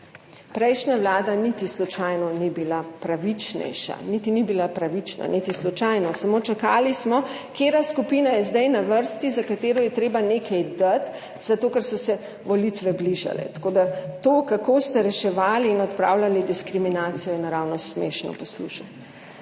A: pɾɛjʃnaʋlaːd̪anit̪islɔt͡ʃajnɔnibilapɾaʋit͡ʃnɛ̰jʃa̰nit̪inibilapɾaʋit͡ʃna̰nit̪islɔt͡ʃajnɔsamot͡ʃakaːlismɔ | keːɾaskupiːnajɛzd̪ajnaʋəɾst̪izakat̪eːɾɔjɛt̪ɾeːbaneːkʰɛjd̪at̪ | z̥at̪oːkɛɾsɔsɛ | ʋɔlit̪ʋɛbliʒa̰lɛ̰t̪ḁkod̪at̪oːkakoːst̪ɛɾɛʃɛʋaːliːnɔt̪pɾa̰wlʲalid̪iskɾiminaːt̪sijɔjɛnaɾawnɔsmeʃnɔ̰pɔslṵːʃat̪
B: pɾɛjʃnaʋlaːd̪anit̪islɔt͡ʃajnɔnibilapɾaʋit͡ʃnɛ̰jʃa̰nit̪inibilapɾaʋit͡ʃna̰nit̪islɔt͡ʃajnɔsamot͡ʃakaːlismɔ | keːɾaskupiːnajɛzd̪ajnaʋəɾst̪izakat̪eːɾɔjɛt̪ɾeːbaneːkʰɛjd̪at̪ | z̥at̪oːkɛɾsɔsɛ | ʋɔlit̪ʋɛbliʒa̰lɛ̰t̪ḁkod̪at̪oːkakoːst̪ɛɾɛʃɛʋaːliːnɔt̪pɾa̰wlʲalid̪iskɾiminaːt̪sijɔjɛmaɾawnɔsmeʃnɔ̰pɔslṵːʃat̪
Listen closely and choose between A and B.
A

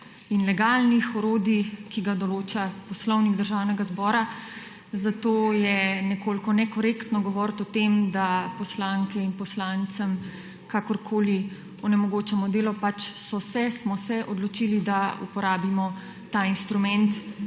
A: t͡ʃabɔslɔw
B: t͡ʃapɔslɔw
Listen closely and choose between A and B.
B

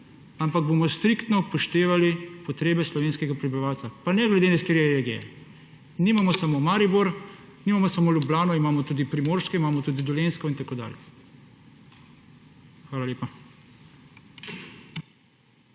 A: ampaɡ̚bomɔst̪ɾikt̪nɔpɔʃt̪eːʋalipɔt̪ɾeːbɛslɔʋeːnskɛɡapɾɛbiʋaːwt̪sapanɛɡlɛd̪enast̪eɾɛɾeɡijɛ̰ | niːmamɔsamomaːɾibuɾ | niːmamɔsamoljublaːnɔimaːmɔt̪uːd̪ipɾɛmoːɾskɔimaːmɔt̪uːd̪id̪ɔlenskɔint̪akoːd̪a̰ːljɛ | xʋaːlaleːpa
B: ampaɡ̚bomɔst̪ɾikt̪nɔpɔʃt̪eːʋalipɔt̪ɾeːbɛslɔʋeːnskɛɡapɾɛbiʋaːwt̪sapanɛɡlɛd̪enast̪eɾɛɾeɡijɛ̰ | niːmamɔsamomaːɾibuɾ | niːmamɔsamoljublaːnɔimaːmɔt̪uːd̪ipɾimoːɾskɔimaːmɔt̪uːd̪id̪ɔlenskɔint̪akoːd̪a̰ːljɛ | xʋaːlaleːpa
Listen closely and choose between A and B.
B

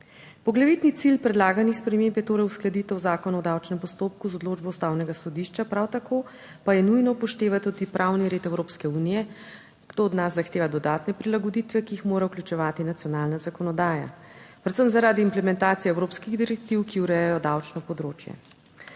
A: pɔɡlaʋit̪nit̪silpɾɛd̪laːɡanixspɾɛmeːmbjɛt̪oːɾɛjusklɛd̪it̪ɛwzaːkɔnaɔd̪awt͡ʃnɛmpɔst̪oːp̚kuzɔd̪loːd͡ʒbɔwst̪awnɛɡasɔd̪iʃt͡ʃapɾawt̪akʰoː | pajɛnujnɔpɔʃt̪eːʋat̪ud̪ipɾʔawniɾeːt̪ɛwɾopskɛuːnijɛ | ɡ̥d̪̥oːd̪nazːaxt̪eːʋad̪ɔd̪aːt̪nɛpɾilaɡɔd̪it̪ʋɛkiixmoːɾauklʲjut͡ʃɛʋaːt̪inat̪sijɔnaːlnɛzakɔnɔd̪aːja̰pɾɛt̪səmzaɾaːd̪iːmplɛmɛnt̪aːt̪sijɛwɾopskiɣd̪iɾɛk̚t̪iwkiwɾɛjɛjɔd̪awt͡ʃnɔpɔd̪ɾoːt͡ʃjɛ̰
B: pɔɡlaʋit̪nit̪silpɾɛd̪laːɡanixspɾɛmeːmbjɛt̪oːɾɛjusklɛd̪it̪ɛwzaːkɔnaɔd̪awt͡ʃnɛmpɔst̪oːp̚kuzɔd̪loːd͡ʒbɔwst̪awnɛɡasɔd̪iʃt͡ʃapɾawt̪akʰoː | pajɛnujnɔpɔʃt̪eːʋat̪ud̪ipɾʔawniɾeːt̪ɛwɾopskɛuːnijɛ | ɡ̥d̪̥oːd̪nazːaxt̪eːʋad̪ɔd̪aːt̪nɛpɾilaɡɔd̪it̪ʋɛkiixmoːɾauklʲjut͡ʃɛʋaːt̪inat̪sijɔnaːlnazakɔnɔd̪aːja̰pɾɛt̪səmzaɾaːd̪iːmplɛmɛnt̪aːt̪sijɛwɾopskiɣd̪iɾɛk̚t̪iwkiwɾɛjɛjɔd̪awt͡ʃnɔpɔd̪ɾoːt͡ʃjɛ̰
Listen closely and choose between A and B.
B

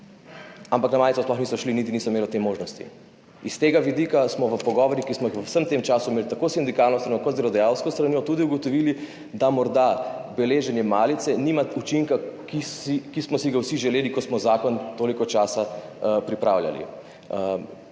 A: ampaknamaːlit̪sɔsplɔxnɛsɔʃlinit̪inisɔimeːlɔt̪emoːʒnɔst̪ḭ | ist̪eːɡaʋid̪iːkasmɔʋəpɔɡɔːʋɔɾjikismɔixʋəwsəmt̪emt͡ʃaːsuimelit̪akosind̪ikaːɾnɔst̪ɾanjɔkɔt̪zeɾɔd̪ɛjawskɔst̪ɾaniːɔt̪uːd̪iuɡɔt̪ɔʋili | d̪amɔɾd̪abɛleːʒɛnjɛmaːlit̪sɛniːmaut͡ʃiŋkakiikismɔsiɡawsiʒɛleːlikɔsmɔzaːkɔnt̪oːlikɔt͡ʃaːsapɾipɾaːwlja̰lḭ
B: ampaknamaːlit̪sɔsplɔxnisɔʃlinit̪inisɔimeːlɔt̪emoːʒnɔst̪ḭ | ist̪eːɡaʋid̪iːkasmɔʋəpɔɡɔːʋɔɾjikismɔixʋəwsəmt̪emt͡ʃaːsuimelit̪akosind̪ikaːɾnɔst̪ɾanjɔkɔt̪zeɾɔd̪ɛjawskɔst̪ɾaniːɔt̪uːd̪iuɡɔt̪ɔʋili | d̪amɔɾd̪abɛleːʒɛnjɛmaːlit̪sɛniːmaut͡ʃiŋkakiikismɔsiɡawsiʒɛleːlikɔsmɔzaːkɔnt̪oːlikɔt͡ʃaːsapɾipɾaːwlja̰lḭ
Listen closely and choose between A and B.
B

